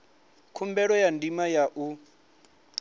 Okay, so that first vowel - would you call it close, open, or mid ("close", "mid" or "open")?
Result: close